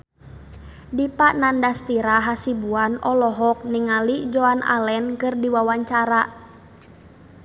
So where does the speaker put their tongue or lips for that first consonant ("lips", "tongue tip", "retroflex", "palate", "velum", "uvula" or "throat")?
tongue tip